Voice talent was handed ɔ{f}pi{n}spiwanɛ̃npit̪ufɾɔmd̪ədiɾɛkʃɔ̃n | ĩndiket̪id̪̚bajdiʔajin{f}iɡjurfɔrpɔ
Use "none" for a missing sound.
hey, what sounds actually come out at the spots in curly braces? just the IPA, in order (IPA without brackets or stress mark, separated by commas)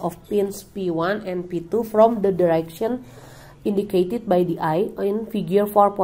f, n, f